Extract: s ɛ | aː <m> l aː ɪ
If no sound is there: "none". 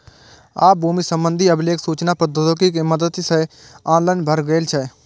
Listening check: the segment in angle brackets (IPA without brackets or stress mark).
n